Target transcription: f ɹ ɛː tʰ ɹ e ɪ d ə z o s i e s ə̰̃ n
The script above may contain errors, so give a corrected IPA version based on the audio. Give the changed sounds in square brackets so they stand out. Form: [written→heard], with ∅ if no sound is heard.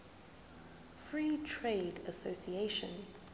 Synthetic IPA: f ɹ [ɛː→iː] tʰ ɹ e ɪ d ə [z→s] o s i e [s→ʃ] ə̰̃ n